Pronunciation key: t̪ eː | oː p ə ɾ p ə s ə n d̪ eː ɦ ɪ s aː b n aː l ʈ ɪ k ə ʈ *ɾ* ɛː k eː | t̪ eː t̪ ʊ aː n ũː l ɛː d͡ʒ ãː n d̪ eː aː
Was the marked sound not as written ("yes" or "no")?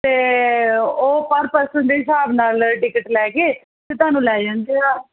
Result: yes